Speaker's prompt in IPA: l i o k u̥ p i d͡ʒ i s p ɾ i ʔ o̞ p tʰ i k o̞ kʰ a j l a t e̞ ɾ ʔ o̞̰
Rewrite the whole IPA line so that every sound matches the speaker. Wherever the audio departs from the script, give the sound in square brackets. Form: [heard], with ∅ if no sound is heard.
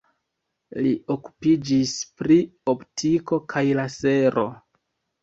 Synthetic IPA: l i o k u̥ p i d͡ʒ i s p ɾ i [∅] o̞ p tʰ i k o̞ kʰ a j l a [s] e̞ ɾ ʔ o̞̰